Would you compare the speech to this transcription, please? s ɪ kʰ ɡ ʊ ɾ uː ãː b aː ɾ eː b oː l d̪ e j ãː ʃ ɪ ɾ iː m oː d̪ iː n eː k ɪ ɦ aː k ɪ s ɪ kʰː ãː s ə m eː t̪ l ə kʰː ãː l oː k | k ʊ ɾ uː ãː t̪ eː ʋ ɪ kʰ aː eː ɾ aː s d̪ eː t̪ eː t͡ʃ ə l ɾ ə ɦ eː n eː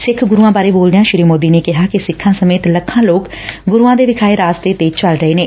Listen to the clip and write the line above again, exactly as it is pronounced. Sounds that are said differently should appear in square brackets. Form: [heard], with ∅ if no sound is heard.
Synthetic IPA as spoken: s ɪ kʰ ɡ ʊ ɾ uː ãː b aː ɾ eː b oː l d̪ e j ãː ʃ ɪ ɾ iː m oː d̪ iː n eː k ɪ ɦ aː k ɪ s ɪ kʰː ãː s ə m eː t̪ l ə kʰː ãː l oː k | [ɡ] ʊ ɾ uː ãː [d̪] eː ʋ ɪ kʰ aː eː ɾ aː s [t̪] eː t̪ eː t͡ʃ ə l ɾ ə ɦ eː n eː